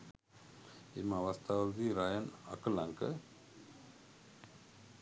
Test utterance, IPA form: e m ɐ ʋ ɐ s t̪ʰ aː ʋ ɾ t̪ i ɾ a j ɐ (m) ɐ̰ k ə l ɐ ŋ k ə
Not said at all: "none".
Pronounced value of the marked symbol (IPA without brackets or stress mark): n